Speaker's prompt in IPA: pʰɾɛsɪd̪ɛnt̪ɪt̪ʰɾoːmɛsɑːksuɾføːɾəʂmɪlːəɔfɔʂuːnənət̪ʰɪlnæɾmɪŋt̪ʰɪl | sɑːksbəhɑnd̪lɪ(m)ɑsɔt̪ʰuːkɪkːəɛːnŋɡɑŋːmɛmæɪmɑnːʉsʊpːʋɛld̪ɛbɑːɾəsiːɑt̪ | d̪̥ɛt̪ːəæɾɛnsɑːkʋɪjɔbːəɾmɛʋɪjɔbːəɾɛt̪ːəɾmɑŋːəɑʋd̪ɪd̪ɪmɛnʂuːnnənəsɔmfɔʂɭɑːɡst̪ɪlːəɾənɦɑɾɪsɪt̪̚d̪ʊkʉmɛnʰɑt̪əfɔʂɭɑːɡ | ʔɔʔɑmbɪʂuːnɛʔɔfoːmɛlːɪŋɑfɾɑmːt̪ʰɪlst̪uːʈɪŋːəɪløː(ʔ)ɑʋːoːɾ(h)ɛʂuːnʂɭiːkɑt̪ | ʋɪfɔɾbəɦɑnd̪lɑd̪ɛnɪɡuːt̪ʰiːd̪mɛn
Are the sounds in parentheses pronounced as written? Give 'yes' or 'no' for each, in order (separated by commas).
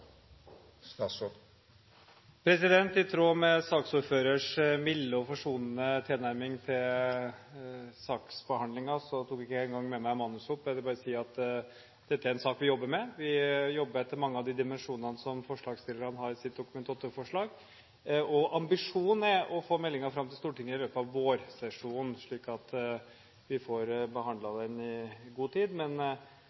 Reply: no, no, no